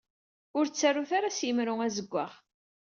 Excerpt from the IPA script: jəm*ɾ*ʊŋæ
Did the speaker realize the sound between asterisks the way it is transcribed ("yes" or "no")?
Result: yes